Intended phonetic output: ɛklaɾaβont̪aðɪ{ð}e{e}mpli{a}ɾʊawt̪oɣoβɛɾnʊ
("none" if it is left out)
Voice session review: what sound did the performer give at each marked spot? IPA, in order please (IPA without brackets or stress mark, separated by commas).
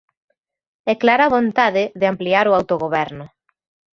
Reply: ð, a, a